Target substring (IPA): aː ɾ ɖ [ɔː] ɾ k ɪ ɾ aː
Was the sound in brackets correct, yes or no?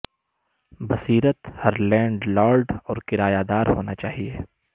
yes